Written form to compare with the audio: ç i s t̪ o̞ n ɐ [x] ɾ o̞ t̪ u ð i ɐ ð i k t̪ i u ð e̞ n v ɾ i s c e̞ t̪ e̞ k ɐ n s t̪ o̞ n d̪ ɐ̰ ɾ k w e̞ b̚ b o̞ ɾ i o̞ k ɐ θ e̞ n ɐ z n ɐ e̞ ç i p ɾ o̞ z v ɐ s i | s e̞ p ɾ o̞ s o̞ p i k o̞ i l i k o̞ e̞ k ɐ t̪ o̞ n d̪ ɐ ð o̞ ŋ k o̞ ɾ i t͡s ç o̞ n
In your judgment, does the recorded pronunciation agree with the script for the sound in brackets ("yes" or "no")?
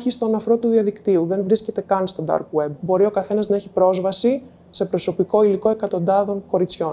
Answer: no